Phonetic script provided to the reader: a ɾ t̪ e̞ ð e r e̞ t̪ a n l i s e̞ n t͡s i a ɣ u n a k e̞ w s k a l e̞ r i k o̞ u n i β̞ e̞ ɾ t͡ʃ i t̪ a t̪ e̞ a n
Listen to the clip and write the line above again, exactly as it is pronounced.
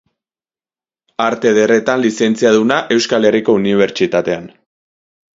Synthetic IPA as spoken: a ɾ t̪ e̞ ð e r e̞ t̪ a n l i s e̞ n t͡s i a ð u n a ʔ e̞ w s k a l e̞ r i k o̞ u n i β̞ e̞ ɾ t͡ʃ i t̪ a t̪ e̞ a n